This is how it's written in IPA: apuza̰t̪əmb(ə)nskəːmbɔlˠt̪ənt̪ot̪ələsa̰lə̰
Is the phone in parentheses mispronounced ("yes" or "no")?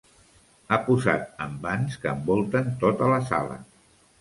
yes